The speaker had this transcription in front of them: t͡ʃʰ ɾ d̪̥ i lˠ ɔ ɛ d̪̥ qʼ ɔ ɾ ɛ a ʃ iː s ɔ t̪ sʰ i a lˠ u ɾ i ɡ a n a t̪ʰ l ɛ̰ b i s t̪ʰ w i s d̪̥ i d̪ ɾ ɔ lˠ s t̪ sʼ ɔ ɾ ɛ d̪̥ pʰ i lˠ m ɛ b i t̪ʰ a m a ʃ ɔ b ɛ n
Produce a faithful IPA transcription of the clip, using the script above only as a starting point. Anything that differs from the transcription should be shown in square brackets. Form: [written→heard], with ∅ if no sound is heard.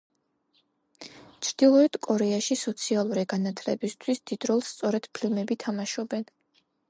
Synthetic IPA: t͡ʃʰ ɾ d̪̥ i lˠ ɔ ɛ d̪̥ [qʼ→kʼ] ɔ ɾ ɛ a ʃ [iː→i] s ɔ t̪ sʰ i a lˠ u ɾ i ɡ a n a t̪ʰ l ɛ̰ b i s t̪ʰ w i s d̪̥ i d̪ ɾ ɔ lˠ s t̪ sʼ ɔ ɾ ɛ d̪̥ pʰ i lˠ m ɛ b i t̪ʰ a m a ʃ ɔ b ɛ n